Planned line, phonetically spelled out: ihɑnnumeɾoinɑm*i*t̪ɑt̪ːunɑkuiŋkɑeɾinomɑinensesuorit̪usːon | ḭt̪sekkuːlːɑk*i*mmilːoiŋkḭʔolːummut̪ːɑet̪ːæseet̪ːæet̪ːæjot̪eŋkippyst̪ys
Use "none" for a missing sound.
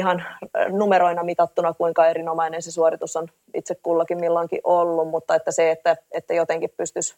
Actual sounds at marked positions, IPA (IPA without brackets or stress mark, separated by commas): i, i